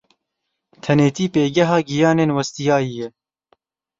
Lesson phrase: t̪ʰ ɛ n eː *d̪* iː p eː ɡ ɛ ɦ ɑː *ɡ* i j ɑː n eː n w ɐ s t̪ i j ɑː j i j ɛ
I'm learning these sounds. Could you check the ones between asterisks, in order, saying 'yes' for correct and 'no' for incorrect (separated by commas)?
no, yes